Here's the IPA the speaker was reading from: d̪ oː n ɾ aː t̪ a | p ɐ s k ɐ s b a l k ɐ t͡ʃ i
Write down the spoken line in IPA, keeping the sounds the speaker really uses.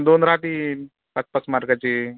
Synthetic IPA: d̪ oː n ɾ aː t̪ i | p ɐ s p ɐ s m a ɾ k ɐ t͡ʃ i